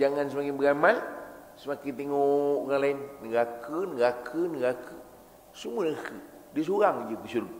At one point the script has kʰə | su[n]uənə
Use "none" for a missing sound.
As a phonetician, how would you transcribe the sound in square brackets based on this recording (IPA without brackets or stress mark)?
m